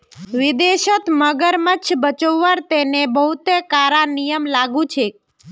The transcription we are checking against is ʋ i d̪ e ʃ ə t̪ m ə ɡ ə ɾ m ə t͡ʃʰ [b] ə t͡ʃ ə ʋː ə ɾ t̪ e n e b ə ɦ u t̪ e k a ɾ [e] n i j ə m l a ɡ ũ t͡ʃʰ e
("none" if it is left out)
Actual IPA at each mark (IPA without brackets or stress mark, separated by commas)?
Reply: b, a